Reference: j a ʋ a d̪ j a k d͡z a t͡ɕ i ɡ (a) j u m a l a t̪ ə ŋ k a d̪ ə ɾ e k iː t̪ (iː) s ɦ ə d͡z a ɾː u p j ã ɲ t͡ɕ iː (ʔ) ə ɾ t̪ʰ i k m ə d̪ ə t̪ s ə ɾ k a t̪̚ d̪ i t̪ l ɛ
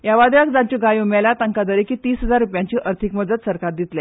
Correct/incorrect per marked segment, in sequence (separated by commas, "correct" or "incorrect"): correct, correct, correct